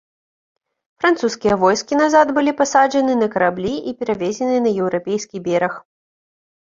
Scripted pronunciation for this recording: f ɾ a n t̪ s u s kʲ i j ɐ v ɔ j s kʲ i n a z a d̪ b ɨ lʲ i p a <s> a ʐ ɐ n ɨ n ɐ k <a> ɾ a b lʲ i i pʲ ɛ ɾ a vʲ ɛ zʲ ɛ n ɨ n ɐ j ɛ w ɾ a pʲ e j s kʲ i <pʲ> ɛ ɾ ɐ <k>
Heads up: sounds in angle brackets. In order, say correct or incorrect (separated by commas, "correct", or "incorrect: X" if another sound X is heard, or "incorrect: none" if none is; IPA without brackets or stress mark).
correct, incorrect: ɐ, incorrect: bʲ, incorrect: x